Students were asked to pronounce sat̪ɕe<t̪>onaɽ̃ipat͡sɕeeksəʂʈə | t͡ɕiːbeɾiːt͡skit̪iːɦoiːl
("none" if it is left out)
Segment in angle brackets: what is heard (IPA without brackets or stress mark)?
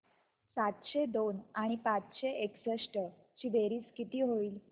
d̪